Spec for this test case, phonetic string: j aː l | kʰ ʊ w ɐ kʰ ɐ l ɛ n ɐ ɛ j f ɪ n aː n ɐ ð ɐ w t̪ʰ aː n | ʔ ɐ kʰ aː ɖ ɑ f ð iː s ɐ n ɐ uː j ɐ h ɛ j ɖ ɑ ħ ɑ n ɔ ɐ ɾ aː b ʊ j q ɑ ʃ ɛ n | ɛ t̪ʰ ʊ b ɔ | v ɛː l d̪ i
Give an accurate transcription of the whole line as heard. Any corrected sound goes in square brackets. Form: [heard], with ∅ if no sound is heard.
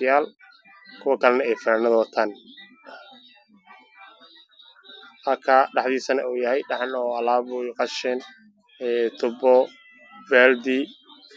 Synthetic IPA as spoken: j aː l | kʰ ʊ w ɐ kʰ ɐ l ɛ n ɐ ɛ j f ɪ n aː n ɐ ð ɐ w t̪ʰ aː n | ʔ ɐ kʰ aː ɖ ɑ [ħ] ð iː s ɐ n ɐ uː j ɐ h ɛ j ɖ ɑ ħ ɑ n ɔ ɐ [l] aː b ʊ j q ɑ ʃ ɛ n | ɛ t̪ʰ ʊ b ɔ | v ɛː l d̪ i